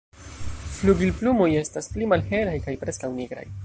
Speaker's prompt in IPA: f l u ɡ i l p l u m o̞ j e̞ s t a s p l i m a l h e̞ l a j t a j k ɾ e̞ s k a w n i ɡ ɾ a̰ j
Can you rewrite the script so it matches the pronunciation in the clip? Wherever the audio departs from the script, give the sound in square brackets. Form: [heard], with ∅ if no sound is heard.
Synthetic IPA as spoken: f l u ɡ i l p l u m o̞ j e̞ s t a s p l i m a l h e̞ l a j [k] a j [p] ɾ e̞ s k a w n i ɡ ɾ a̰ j